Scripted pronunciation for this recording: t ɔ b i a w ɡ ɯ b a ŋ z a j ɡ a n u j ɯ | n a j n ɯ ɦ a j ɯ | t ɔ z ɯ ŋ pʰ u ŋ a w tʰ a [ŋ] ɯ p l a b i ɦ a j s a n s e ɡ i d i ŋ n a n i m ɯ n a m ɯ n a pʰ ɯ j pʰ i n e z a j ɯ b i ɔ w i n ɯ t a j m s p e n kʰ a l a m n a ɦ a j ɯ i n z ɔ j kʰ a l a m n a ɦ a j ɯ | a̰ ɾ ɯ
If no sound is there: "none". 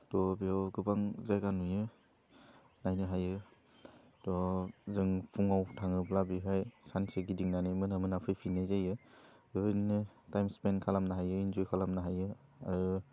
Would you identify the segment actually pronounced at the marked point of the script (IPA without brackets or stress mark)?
ŋ